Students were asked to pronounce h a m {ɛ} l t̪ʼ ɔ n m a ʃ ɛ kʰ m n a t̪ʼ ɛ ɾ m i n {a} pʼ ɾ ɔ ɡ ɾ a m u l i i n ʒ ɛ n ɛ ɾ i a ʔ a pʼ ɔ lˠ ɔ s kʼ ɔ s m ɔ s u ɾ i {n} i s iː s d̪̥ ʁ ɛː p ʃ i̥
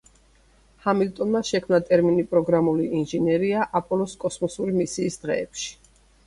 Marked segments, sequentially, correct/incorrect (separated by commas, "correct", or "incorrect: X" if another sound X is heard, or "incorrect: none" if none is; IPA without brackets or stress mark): incorrect: i, incorrect: i, incorrect: m